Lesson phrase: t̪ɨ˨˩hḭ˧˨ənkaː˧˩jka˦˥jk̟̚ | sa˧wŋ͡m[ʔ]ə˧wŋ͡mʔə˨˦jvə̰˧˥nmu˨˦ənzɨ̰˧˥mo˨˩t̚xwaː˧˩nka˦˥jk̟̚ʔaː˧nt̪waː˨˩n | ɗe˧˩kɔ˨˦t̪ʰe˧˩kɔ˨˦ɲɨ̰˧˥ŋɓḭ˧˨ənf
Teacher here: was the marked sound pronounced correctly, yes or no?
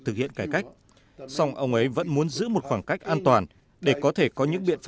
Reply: yes